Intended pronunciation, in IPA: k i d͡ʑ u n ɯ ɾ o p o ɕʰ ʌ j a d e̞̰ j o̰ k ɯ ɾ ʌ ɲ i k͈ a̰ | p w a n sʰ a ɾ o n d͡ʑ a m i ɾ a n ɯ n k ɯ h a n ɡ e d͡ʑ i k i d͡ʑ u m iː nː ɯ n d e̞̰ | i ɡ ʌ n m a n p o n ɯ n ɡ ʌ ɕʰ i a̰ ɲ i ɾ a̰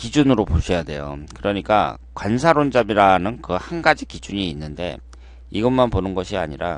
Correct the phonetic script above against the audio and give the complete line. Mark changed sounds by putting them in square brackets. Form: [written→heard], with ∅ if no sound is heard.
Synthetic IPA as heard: k i d͡ʑ u n ɯ ɾ o p o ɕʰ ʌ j a d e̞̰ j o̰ k ɯ ɾ ʌ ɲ i k͈ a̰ | [p→k] w a n sʰ a ɾ o n d͡ʑ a m i ɾ a n ɯ n k ɯ h a n ɡ [e→a] d͡ʑ i k i d͡ʑ u [m→ɲ] iː nː ɯ n d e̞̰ | i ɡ ʌ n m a n p o n ɯ n ɡ ʌ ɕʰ i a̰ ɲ i ɾ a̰